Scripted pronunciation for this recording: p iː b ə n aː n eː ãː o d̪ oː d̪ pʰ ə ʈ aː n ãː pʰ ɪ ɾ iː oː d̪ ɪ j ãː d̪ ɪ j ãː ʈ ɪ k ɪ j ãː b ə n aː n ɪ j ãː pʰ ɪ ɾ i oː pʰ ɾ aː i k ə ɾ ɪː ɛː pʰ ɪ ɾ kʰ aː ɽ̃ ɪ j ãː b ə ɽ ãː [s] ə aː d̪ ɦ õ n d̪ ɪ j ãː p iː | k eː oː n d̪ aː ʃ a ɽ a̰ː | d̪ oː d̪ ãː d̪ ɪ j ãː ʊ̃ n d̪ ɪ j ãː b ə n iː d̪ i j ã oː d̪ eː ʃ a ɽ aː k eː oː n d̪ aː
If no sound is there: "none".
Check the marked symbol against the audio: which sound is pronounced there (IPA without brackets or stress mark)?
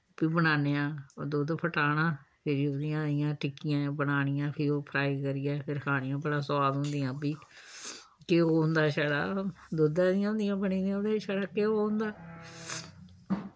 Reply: s